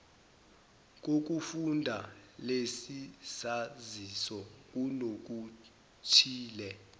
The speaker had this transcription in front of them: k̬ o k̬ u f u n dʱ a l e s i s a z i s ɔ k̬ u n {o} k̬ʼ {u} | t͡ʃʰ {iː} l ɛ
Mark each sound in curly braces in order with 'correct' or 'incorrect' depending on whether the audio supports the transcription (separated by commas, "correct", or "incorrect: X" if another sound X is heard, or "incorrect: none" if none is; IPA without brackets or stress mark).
correct, correct, correct